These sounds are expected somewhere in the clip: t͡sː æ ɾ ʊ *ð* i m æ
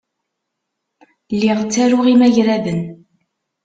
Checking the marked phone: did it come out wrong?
yes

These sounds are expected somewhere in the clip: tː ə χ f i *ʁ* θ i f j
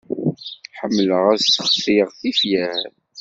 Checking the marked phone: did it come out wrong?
no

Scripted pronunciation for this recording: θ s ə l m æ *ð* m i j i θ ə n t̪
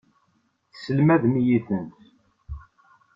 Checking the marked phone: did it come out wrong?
no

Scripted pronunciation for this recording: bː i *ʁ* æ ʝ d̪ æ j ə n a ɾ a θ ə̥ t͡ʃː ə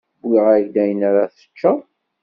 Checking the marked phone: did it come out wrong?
no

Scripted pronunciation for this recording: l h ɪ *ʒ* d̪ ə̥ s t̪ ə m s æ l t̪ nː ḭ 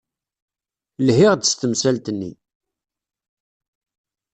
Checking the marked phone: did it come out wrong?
yes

